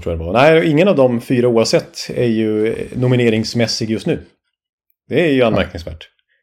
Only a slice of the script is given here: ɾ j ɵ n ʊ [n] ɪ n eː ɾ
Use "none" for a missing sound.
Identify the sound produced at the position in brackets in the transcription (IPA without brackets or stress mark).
m